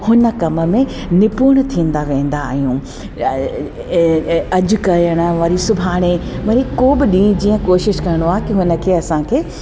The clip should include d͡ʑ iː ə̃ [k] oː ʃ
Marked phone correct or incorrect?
correct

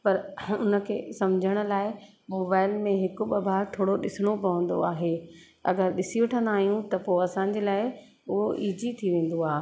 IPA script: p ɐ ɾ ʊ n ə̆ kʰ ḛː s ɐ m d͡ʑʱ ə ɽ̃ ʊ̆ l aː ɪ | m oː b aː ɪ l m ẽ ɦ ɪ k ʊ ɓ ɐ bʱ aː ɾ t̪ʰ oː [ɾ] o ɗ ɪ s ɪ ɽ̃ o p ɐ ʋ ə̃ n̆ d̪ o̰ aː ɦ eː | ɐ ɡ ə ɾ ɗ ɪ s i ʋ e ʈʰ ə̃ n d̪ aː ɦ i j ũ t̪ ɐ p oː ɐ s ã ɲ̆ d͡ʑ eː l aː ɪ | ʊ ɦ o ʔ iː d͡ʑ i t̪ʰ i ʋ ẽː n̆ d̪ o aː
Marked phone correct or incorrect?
incorrect: ɽ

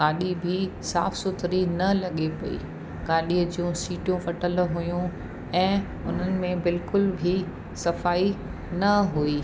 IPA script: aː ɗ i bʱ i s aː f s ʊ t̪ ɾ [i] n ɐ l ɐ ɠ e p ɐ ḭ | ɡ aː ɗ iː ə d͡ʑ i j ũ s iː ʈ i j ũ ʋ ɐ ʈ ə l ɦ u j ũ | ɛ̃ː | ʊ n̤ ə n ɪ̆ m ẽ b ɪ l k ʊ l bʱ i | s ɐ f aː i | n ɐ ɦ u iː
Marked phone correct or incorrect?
correct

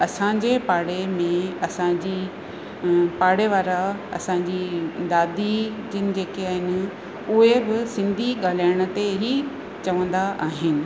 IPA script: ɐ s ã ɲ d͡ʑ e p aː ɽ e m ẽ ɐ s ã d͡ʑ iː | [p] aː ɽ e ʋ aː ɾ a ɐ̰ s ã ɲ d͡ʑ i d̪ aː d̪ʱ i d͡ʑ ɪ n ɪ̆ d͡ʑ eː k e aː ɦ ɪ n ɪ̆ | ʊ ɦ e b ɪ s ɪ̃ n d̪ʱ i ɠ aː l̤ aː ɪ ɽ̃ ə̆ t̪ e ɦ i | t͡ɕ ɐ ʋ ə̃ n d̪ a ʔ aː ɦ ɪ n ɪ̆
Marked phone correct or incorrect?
correct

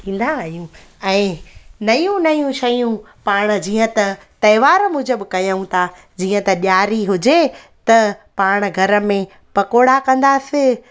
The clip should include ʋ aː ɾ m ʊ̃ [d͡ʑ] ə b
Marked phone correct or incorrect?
correct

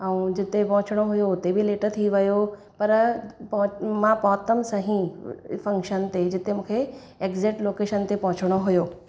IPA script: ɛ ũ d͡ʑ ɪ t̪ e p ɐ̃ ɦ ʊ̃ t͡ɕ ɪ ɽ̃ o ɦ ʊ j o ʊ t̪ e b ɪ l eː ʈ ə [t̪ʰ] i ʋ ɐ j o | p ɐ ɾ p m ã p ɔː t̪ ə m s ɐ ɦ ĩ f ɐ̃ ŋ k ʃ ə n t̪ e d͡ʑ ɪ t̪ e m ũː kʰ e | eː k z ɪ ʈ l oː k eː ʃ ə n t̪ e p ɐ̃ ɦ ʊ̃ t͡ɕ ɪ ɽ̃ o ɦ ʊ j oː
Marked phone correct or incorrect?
correct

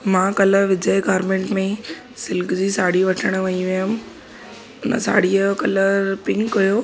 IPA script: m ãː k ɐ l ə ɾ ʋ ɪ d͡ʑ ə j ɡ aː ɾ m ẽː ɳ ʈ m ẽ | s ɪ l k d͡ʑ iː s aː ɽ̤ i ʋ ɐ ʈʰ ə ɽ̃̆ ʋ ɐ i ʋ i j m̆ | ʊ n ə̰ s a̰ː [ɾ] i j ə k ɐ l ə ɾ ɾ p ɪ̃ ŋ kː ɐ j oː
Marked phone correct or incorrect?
incorrect: ɽ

